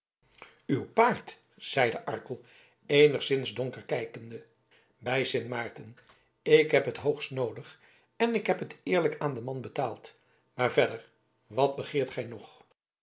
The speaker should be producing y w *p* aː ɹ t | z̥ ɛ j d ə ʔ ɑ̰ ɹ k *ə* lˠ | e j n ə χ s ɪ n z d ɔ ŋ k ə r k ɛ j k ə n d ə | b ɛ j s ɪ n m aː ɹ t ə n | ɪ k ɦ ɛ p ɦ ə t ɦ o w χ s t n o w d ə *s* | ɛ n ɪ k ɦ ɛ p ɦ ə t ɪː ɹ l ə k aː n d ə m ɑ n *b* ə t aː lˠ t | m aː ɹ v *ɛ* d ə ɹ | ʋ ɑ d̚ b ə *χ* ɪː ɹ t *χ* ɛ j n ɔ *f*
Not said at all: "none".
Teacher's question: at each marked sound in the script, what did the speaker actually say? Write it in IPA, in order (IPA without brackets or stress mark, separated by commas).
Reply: p, ə, χ, b, ɛ, χ, χ, χ